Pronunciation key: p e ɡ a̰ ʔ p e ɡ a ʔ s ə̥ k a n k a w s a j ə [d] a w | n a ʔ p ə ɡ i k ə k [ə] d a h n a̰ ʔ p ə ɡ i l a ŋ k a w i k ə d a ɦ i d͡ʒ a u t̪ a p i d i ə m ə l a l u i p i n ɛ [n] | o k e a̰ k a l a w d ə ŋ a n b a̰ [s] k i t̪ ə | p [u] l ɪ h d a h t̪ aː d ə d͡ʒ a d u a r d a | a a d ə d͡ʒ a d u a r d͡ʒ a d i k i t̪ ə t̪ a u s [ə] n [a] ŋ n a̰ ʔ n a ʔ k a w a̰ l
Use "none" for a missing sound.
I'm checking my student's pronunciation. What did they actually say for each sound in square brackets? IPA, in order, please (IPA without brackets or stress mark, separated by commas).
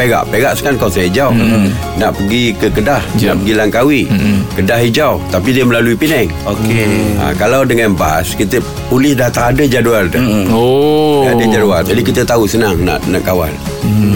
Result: d͡ʒ, ə, ŋ, s, u, ə, a